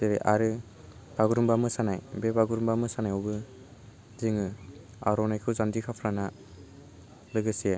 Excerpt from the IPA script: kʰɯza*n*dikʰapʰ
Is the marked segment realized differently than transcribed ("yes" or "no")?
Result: no